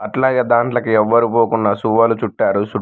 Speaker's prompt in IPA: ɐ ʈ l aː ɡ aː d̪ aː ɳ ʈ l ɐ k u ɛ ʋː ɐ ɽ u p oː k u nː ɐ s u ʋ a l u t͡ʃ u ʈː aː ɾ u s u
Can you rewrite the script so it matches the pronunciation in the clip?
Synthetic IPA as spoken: ɐ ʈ l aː ɡ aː d̪ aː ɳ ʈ l ɐ k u ɛ ʋː ɐ ɾ u p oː k u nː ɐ s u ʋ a l u t͡ʃ u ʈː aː ɾ u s u